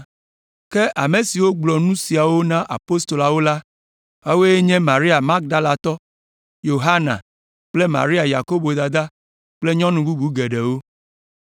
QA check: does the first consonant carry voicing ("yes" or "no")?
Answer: no